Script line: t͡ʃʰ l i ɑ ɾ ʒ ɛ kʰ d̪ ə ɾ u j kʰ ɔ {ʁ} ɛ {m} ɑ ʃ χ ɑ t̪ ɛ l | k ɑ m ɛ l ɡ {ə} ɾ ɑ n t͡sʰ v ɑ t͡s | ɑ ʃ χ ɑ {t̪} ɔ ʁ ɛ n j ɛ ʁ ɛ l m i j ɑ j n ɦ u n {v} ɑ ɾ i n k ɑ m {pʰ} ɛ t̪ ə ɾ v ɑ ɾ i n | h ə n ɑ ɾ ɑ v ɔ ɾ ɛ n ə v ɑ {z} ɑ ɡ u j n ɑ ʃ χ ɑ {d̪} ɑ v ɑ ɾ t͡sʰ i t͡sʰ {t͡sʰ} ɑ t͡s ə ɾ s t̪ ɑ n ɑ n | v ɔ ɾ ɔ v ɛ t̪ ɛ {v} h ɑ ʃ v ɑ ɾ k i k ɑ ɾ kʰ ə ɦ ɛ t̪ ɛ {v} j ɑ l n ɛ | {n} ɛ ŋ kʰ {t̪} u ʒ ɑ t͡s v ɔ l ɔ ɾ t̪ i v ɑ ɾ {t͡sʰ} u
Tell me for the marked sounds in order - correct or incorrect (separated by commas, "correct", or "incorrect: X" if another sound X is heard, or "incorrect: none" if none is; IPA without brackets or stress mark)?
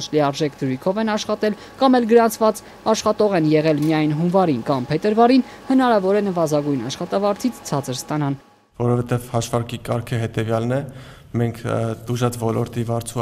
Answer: incorrect: v, incorrect: n, correct, correct, correct, correct, correct, incorrect: t̪, correct, correct, correct, incorrect: m, correct, correct